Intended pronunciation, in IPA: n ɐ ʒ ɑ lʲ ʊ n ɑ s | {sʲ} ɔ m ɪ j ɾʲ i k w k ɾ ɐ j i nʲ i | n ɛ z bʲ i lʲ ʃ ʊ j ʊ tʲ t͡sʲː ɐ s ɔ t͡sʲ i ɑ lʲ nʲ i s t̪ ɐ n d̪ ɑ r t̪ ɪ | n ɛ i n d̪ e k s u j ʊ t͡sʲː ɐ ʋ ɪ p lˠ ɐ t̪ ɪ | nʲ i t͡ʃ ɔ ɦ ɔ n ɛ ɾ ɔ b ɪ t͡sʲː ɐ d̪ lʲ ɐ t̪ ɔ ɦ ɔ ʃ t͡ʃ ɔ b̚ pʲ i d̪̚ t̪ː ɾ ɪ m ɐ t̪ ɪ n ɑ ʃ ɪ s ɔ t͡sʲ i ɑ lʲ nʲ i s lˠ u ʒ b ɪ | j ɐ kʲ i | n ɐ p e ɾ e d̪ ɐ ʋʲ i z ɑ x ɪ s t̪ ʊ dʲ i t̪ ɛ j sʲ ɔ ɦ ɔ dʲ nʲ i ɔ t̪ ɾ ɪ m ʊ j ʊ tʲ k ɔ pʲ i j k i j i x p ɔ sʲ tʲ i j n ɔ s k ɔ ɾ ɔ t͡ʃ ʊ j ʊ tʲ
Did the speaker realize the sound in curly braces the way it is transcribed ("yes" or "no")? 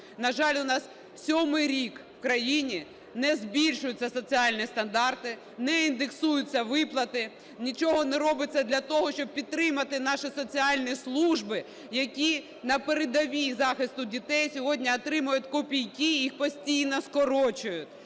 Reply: yes